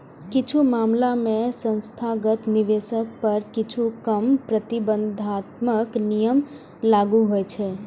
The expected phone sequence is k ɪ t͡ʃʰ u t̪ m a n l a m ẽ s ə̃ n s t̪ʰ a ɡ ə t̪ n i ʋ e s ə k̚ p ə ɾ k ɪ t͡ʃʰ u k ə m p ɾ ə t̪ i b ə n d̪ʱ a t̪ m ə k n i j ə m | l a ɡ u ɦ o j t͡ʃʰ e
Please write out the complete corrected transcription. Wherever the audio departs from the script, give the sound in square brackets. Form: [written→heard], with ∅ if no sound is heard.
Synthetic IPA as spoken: k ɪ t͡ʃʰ u [t̪→∅] m a [n→m] l a m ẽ s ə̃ n s t̪ʰ a ɡ ə t̪ n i ʋ e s ə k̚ p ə ɾ k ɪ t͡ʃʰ u k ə m p ɾ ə t̪ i b ə n d̪ʱ a t̪ m ə k n i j ə m | l a ɡ u ɦ o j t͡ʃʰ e